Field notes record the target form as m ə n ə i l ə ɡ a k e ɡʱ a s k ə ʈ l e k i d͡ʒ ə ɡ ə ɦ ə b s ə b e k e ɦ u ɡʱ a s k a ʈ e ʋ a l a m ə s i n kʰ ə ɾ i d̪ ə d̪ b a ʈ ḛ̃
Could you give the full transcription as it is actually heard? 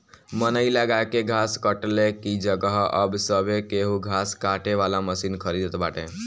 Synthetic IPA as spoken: m ə n ə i l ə ɡ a k e ɡʱ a s k ə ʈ l e k i d͡ʒ ə ɡ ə ɦ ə b s ə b e k e ɦ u ɡʱ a s k a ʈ e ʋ a l a m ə s i n kʰ ə ɾ i d̪ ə t̪ b a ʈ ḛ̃